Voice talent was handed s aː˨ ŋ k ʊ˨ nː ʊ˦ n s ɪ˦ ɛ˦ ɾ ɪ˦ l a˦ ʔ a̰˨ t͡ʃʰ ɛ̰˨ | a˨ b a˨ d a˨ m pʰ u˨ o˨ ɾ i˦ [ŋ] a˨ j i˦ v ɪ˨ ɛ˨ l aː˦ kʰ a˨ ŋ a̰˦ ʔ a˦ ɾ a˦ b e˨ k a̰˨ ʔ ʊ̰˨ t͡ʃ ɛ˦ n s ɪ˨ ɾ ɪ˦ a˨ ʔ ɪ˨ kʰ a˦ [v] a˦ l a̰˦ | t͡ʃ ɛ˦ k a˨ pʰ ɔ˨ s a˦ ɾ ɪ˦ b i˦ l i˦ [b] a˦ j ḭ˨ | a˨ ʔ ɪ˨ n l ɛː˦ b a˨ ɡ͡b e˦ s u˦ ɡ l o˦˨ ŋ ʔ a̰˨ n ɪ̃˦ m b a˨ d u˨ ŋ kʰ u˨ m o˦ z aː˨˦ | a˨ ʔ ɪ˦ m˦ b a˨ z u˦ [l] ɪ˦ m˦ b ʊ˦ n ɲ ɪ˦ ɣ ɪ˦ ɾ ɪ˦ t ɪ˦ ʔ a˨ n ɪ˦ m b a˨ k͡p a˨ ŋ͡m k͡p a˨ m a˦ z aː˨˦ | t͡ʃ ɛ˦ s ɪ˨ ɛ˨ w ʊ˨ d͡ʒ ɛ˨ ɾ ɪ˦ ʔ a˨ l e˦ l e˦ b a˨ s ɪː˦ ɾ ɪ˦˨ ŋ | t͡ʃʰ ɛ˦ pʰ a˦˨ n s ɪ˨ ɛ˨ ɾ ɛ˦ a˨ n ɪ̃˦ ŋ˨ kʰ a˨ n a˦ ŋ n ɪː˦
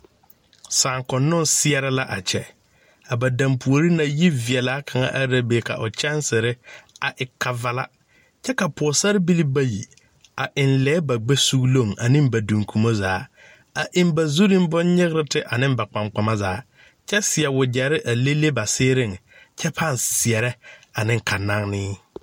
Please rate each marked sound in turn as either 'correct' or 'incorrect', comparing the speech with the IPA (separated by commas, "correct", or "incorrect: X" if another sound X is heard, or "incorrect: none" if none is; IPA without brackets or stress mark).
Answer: incorrect: n, correct, correct, incorrect: ɾ